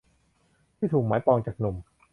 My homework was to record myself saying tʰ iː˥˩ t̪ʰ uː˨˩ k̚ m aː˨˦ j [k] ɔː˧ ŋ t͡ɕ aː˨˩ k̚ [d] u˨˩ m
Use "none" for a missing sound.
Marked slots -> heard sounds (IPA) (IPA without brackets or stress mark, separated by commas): p, n